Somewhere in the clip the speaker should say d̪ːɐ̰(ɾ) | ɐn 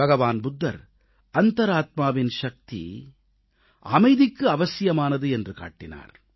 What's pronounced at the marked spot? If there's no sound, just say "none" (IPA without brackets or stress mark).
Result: ɾ